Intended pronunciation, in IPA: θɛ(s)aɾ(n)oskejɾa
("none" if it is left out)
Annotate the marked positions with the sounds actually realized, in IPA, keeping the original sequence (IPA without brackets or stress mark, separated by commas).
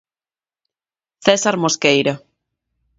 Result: s, m